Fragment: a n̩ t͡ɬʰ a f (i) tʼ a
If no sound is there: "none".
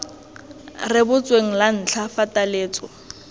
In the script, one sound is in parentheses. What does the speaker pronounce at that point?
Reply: a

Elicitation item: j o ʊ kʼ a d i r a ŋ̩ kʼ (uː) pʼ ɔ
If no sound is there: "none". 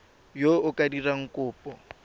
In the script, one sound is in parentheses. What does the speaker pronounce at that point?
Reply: ʊː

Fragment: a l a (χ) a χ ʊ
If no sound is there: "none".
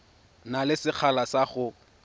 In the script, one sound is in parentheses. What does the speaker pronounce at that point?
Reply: s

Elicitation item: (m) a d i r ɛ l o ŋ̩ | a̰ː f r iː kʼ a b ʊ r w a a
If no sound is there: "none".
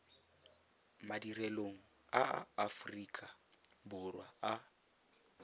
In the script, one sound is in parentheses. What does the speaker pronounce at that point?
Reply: m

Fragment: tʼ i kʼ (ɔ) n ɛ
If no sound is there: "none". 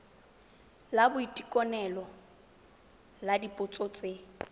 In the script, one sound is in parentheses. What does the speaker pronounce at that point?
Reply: ɔ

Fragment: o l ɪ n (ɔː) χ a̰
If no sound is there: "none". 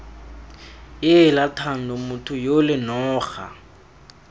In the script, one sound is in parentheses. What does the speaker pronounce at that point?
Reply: ɔː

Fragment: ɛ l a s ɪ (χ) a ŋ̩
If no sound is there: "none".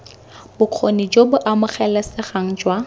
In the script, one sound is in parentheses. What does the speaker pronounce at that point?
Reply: χ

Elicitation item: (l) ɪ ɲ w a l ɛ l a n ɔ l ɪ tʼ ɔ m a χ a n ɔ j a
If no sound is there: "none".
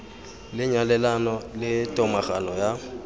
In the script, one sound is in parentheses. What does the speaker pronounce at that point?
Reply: l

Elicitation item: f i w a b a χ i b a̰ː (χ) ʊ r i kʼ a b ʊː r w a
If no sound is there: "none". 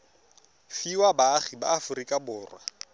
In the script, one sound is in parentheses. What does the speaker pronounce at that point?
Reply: f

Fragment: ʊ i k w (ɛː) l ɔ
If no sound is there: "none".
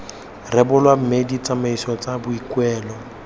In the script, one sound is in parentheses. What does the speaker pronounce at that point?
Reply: ɛː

